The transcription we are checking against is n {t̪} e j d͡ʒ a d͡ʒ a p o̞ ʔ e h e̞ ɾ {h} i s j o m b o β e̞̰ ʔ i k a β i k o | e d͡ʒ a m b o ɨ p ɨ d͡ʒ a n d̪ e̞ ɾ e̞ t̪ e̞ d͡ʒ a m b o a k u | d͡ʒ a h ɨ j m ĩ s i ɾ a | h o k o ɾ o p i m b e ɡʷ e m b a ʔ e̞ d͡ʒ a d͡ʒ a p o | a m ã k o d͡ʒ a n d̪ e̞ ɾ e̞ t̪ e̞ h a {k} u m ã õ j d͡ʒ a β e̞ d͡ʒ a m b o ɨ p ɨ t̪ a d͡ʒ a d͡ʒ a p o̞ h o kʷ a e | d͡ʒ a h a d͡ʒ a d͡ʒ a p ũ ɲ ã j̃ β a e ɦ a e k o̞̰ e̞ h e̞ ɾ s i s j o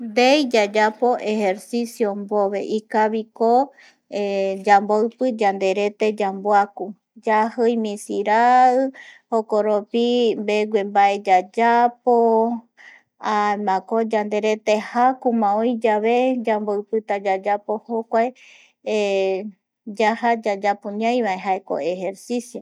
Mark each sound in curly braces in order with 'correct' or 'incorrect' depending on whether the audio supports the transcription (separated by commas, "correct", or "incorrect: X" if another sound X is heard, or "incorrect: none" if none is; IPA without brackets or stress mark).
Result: incorrect: d̪, incorrect: s, correct